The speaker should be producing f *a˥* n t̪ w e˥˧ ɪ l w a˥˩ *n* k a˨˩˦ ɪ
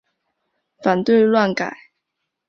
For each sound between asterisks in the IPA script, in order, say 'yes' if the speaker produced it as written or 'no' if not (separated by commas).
no, yes